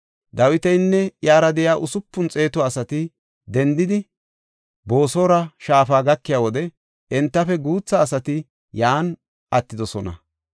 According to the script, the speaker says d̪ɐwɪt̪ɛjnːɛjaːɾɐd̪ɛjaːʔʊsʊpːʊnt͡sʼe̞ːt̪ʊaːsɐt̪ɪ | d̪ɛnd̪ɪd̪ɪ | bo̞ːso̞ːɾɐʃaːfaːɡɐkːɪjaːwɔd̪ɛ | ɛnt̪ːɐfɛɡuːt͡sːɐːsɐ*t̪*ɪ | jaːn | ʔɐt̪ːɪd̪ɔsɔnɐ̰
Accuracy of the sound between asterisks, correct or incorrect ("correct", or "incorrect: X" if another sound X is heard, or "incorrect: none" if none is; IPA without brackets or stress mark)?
correct